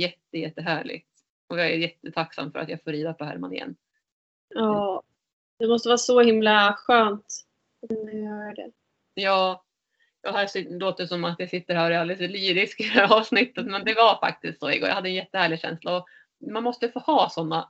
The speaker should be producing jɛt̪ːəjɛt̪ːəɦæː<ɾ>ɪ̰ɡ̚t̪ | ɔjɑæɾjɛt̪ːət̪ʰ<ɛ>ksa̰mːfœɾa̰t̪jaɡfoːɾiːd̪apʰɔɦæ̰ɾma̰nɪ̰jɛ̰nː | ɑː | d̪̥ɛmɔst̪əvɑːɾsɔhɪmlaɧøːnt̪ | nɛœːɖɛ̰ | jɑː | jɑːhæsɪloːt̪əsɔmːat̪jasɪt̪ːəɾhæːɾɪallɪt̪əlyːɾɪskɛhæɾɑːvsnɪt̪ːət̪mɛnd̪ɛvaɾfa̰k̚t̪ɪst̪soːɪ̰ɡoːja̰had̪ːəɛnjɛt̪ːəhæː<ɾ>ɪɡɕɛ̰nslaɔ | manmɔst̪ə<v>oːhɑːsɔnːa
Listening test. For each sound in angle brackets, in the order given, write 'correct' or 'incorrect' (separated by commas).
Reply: incorrect, incorrect, incorrect, incorrect